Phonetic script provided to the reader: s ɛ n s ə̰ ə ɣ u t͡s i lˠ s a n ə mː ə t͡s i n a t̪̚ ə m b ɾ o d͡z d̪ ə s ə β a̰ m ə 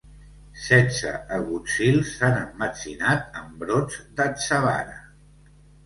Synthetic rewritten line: s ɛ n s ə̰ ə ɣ u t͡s i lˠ s a n ə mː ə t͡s i n a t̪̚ ə m b ɾ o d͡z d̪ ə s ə β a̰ n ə